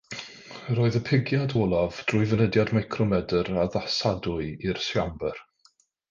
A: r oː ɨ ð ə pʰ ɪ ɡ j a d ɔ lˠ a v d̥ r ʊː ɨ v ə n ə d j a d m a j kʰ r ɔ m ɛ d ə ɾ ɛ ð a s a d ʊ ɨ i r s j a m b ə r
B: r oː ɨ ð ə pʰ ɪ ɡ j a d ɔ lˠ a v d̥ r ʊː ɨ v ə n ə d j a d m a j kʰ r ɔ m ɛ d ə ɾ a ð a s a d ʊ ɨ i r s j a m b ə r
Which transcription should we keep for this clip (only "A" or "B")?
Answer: B